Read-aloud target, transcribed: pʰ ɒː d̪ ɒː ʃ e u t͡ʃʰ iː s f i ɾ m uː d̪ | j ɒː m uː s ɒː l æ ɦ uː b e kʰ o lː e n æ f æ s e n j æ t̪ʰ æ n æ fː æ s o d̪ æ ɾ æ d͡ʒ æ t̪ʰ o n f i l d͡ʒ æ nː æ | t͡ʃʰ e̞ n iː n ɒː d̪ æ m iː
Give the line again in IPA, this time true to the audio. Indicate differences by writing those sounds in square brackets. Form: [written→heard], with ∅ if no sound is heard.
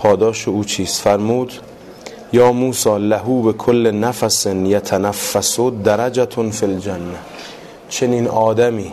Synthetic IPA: pʰ ɒː d̪ ɒː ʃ e [u→uː] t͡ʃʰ iː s f [i→æ] ɾ m uː d̪ | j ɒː m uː s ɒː l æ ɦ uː b e kʰ o lː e n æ f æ s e n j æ t̪ʰ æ n æ fː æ s o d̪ æ ɾ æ d͡ʒ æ t̪ʰ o n f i l d͡ʒ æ nː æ | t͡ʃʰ e̞ n iː n ɒː d̪ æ m iː